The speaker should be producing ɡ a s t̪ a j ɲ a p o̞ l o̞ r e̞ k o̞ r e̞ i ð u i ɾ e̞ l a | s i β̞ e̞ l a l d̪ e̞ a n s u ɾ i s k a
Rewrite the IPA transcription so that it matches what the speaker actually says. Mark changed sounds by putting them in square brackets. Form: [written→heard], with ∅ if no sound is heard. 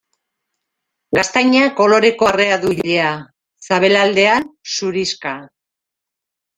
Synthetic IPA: ɡ a s t̪ a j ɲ a [p→k] o̞ l o̞ [r→ɾ] e̞ k o̞ r e̞ [i→a] ð u i [ɾ→ʎ] e̞ [l→∅] a | s [i→a] β̞ e̞ l a l d̪ e̞ a n s u ɾ i s k a

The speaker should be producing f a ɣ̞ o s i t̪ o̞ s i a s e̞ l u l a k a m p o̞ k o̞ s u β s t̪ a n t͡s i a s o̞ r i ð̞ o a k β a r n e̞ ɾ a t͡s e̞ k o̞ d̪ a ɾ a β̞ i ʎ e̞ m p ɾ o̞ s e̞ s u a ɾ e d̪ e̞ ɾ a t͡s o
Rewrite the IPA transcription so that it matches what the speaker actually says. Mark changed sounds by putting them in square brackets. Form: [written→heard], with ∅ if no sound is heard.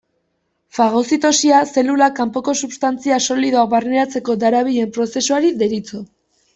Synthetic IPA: f a ɣ̞ o s i t̪ o̞ s i a s e̞ l u l a k a m p o̞ k o̞ s u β s t̪ a n t͡s i a s o̞ [r→l] i ð̞ o a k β a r n e̞ ɾ a t͡s e̞ k o̞ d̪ a ɾ a β̞ i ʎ e̞ m p ɾ o̞ s e̞ s u a ɾ [e→i] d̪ e̞ ɾ [a→i] t͡s o

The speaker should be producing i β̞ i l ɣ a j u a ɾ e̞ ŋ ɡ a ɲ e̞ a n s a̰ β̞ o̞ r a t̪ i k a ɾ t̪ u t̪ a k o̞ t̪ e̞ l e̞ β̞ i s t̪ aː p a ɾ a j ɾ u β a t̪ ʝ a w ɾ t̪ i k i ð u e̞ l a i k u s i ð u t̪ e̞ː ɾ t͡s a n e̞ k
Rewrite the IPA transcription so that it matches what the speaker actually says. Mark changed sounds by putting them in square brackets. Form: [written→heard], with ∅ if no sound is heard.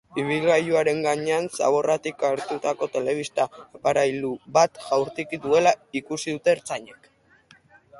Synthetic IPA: i β̞ i l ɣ a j u a ɾ e̞ ŋ ɡ a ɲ e̞ a n s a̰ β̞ o̞ r a t̪ i k a ɾ t̪ u t̪ a k o̞ t̪ e̞ l e̞ β̞ i s t̪ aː p a ɾ a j [ɾ→l] u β a t̪ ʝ a w ɾ t̪ i k i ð u e̞ l a i k u s i ð u t̪ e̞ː ɾ t͡s a [n→ɲ] e̞ k

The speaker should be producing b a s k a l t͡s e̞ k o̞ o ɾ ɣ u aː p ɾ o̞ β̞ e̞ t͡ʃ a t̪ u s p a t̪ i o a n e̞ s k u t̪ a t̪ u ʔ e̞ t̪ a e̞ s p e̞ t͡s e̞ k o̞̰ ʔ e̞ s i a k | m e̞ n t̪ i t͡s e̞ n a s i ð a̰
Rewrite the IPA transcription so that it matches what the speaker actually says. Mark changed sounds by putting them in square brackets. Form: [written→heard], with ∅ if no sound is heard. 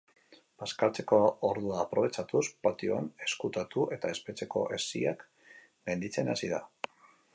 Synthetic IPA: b a s k a l t͡s e̞ k o̞ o ɾ [ɣ→ð] u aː p ɾ o̞ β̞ e̞ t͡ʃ a t̪ u s p a t̪ i o a n e̞ s k u t̪ a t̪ u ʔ e̞ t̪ a e̞ s p e̞ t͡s e̞ k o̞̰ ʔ e̞ s i a k | m e̞ n [t̪→d̪] i t͡s e̞ n a s i ð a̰

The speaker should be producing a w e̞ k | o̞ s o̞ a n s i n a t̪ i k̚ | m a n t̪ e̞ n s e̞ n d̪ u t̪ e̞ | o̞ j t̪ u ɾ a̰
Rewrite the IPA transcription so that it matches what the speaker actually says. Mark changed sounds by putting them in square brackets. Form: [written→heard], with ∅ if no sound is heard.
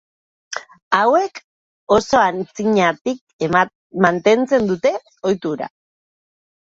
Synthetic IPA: a w e̞ k | o̞ s o̞ a n [s→t͡s] i [n→ɲ] a t̪ i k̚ | m a n t̪ e̞ n [s→t͡s] e̞ n d̪ u t̪ e̞ | o̞ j t̪ u ɾ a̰

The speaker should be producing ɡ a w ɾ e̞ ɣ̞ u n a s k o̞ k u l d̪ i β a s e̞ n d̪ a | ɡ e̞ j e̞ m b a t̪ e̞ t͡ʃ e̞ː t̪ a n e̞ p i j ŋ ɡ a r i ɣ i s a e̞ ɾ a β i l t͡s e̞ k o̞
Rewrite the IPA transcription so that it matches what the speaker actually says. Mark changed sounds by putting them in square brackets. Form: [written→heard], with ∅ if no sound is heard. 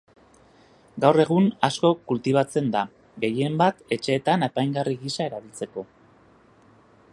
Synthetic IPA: ɡ a w [ɾ→r] e̞ ɣ̞ u n a s k o̞ k u l [d̪→t̪] i β a [s→t͡s] e̞ n d̪ a | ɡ e̞ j e̞ m b a t̪ e̞ t͡ʃ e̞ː t̪ a n e̞ p [i→a] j ŋ ɡ a r i ɣ i s a e̞ ɾ a β i l t͡s e̞ k o̞

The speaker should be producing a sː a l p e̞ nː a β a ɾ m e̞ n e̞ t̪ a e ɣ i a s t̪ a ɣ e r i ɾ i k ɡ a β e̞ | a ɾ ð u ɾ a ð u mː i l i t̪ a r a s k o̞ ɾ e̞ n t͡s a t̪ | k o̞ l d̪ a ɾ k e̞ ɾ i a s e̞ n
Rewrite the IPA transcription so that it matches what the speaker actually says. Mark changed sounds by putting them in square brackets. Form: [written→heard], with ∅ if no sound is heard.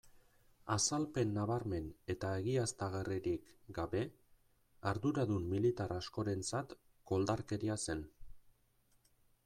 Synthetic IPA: a [sː→s] a l p e̞ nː a β a ɾ m e̞ n e̞ t̪ a e ɣ i a s t̪ a ɣ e r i ɾ i k ɡ a β e̞ | a ɾ ð u ɾ a ð u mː i l i t̪ a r a s k o̞ ɾ e̞ n t͡s a t̪ | k o̞ l d̪ a ɾ k e̞ ɾ i a s e̞ n

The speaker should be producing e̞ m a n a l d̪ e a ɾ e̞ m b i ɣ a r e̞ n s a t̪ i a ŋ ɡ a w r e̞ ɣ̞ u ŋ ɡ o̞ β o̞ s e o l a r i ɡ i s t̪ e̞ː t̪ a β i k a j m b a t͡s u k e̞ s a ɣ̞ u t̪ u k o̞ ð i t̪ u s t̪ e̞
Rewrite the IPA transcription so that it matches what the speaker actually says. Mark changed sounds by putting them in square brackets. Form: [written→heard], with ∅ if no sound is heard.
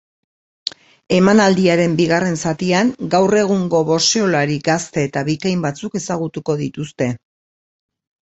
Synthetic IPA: e̞ m a n a l d̪ [e→i] a ɾ e̞ m b i ɣ a r e̞ n s a t̪ i a ŋ ɡ a w r e̞ ɣ̞ u ŋ ɡ o̞ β o̞ s e o l a [r→ɾ] i ɡ [i→a] s t̪ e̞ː t̪ a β i k a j m b a t͡s u k e̞ s a ɣ̞ u t̪ u k o̞ ð i t̪ u s t̪ e̞

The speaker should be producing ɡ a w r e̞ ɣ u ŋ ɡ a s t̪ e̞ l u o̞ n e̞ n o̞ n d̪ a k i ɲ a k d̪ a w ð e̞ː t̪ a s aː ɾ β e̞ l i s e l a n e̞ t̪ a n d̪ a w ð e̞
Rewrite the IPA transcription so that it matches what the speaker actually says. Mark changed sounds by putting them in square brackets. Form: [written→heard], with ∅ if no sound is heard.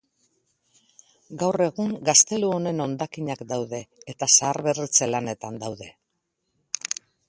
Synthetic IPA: ɡ a w r e̞ ɣ u ŋ ɡ a s t̪ e̞ l u o̞ n e̞ n o̞ n d̪ a k i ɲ a k d̪ a w ð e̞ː t̪ a s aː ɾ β e̞ [l→r] i [s→t͡s] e l a n e̞ t̪ a n d̪ a w ð e̞

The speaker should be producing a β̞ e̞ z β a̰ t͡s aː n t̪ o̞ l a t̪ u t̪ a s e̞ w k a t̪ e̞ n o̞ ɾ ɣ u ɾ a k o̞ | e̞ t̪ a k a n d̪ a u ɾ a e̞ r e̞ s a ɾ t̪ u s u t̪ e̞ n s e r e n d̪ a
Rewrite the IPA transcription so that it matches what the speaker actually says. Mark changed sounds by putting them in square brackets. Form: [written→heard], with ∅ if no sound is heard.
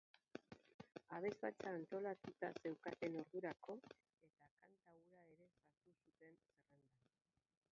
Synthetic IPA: a β̞ e̞ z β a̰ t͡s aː n t̪ o̞ l a t̪ u t̪ a s e̞ w k a t̪ e̞ n o̞ ɾ [ɣ→ð] u ɾ a k o̞ | e̞ t̪ a k a n [d̪→t̪] a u ɾ a e̞ [r→ɾ] e̞ s a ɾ t̪ u s u t̪ e̞ n s e r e n d̪ a

